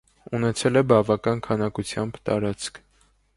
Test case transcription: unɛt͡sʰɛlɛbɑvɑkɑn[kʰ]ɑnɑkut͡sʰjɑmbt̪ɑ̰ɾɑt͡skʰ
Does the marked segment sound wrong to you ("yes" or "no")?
no